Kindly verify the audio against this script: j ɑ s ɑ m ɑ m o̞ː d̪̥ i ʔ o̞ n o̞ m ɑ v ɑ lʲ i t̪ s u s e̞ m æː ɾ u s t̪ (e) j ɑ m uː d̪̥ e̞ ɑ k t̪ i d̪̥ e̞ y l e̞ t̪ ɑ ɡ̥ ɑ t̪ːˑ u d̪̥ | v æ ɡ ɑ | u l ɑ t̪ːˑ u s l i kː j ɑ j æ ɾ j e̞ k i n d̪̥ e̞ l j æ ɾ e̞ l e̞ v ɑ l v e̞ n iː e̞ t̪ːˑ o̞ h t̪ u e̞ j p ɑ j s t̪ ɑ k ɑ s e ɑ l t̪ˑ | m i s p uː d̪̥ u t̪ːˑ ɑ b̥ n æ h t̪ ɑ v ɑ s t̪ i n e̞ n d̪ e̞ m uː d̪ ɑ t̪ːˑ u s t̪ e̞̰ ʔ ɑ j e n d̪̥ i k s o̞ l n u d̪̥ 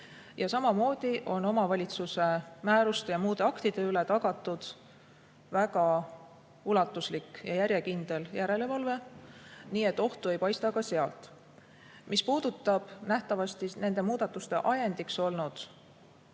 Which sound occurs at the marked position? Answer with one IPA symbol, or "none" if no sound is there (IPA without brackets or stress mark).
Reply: e